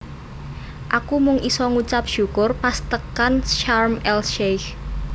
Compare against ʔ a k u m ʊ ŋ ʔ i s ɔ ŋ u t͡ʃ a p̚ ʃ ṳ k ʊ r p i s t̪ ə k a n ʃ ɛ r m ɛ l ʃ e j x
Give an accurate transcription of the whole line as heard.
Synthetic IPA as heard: ʔ a k u m ʊ ŋ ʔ i s ɔ ŋ u t͡ʃ a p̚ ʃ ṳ k ʊ r p a s t̪ ə k a n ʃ a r m ɛ l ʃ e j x